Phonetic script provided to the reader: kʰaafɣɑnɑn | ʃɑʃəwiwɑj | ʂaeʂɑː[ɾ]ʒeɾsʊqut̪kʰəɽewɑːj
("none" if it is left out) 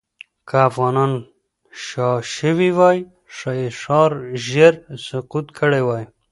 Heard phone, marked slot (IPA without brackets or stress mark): ɾ